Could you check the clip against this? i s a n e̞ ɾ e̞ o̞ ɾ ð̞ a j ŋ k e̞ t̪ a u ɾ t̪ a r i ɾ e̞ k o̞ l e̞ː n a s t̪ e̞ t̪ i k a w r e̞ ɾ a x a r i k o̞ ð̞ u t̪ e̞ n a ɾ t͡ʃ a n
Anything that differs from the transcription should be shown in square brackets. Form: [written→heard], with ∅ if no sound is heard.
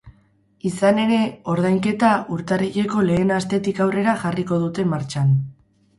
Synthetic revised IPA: i s a n e̞ ɾ e̞ o̞ ɾ ð̞ a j ŋ k e̞ t̪ a u ɾ t̪ a r i [ɾ→ʎ] e̞ k o̞ l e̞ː n a s t̪ e̞ t̪ i k a w r e̞ ɾ a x a r i k o̞ ð̞ u t̪ e̞ [n→m] a ɾ t͡ʃ a n